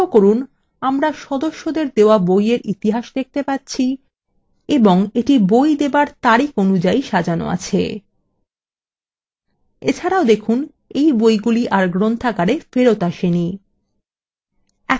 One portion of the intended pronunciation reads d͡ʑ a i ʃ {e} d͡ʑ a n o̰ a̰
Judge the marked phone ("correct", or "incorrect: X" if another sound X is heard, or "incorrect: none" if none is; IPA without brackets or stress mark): incorrect: a